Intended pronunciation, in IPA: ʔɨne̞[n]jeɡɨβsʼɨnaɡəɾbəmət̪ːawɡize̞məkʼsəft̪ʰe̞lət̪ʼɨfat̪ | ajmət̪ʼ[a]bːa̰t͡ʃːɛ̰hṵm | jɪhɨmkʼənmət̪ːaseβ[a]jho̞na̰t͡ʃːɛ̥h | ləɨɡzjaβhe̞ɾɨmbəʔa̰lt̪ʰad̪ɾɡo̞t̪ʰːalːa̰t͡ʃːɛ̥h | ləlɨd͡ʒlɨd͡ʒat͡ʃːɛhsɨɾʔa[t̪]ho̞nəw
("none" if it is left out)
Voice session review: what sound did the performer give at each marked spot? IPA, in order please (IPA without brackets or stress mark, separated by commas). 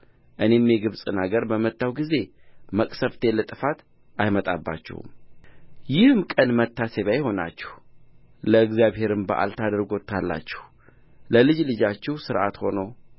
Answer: m, a, a, t̪